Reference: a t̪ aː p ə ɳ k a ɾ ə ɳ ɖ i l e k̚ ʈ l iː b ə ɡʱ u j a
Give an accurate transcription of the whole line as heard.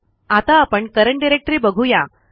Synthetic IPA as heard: a t̪ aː p ə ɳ k ə ɾ ə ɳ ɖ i ɾ e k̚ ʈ ɾ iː b ə ɡʱ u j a